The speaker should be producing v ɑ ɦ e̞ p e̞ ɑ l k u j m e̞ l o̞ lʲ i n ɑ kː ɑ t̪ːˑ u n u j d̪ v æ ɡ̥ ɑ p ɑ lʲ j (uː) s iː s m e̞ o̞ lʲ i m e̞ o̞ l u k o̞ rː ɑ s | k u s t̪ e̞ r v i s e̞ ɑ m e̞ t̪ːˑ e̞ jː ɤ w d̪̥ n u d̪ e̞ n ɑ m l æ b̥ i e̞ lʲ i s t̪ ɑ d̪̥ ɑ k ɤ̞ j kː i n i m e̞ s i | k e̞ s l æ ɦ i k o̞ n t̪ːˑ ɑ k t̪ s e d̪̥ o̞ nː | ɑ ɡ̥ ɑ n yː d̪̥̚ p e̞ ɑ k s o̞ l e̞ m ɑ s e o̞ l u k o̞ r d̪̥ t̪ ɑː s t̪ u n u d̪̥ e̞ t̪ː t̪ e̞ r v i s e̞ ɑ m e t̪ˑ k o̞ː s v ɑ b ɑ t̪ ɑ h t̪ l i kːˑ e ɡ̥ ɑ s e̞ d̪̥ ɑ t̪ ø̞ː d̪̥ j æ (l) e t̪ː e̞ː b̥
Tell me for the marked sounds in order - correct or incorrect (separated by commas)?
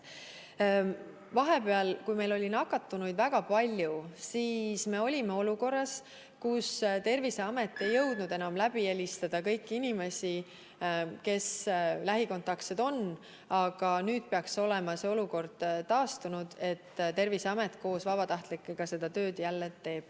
incorrect, incorrect